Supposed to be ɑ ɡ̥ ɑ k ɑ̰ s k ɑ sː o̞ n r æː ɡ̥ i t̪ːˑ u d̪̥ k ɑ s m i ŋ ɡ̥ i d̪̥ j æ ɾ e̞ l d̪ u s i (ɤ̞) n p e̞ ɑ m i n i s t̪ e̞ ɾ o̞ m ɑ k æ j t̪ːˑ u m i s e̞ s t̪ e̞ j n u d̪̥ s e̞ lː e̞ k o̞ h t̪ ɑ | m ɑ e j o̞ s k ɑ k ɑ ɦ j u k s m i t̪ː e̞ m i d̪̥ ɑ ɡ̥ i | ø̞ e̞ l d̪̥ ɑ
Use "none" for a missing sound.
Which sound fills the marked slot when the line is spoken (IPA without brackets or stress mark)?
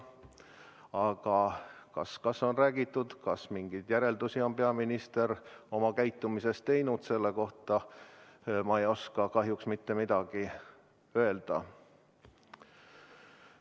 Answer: o̞